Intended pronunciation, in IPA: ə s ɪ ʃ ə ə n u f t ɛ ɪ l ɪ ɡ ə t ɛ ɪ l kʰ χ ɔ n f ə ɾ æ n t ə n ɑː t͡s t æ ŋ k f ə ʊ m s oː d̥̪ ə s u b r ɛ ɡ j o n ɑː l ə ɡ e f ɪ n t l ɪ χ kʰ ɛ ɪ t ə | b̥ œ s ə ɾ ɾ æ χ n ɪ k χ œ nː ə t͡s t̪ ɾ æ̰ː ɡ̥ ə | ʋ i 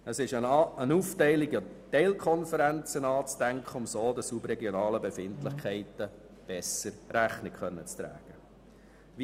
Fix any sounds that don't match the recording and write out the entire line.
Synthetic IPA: ə s ɪ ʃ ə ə n u f t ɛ ɪ l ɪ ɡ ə t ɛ ɪ l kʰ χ ɔ n f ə ɾ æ n t͡s ə n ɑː t͡s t æ ŋ k χ ə ʊ m s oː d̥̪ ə s u b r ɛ ɡ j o n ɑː l ə b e f ɪ n t l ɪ χ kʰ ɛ ɪ t ə | b̥ ɛ s ə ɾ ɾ æ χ n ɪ k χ œ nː ə t͡s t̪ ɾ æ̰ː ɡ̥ ə | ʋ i